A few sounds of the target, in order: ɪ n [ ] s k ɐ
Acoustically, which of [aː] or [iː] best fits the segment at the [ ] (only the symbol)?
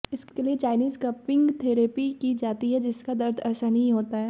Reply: iː